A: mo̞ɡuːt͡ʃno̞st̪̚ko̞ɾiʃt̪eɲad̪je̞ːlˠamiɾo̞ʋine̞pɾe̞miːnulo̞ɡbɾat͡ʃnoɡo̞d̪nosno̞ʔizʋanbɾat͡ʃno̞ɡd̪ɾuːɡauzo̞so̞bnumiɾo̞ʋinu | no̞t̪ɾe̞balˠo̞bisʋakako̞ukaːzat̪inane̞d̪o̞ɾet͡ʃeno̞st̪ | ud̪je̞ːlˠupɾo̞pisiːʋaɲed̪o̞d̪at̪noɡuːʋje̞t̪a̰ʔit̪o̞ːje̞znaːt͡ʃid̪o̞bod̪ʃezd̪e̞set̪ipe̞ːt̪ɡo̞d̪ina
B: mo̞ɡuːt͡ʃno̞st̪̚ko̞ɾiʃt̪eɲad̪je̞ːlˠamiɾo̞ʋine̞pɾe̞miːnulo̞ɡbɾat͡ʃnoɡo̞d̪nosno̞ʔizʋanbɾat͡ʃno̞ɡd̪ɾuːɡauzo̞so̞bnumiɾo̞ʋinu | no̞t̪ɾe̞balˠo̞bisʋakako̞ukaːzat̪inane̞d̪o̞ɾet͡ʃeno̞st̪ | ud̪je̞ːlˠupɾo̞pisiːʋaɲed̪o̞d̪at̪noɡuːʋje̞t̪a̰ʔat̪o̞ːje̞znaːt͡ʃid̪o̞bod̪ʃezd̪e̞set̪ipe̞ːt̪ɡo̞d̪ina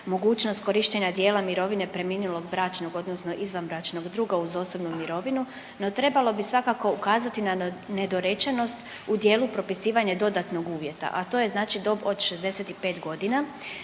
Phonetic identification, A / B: B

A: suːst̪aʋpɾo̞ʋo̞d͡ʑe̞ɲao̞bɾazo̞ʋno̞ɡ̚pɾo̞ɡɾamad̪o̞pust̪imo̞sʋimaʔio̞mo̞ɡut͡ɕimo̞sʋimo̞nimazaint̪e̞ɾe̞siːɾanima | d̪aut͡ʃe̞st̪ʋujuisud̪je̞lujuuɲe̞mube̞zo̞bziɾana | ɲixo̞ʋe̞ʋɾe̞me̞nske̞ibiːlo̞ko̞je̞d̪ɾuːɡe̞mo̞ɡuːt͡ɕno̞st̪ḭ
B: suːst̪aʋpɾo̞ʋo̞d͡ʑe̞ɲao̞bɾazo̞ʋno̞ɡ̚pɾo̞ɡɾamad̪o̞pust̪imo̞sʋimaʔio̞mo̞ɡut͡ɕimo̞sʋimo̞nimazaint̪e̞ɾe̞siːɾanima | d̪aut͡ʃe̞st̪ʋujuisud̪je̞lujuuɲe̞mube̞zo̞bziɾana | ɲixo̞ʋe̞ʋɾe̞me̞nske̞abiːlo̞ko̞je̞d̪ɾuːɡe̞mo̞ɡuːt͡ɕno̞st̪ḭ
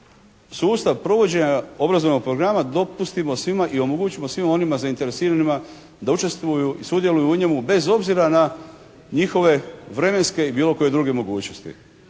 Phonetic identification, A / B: A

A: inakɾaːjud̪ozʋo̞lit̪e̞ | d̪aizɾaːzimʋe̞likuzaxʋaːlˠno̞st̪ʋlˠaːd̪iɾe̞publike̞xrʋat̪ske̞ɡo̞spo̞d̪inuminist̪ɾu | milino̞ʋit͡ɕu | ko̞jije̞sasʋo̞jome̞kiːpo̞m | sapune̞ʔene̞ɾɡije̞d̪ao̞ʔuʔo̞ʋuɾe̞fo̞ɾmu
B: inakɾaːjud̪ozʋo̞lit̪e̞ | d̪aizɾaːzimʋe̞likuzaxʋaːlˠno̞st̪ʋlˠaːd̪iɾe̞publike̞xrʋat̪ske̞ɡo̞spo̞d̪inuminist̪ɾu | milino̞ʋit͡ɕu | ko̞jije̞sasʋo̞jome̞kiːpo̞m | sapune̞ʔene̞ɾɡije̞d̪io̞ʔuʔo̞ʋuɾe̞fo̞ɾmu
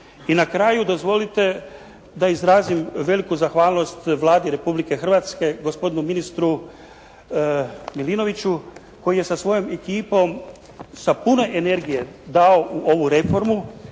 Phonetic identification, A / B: A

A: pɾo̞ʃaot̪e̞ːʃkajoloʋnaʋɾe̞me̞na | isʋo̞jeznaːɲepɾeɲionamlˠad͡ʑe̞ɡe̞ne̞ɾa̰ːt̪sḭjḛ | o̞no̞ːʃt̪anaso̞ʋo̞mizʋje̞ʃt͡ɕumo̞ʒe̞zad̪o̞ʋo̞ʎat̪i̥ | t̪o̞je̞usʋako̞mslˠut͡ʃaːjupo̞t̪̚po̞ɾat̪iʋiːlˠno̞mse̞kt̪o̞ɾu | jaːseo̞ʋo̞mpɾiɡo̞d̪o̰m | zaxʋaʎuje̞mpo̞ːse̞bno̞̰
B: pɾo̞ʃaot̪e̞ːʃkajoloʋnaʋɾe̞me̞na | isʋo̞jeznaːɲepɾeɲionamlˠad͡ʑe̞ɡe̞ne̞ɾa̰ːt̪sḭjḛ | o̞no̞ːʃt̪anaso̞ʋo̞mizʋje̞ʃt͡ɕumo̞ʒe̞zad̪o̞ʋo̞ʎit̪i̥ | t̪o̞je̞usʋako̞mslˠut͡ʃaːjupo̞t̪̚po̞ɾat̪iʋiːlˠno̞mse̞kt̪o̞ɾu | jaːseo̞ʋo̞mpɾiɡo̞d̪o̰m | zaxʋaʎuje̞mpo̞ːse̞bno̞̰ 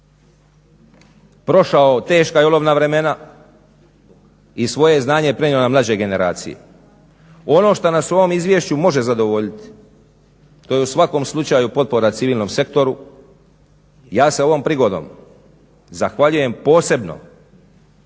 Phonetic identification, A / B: B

